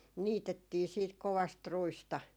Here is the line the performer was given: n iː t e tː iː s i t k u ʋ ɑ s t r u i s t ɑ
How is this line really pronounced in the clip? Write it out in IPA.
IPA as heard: n iː t e tː iː s iː t k o ʋ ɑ s t r u i s t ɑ